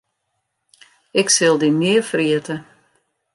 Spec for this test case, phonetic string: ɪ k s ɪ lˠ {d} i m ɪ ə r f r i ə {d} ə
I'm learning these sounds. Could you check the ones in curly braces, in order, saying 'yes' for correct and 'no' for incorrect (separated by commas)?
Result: yes, no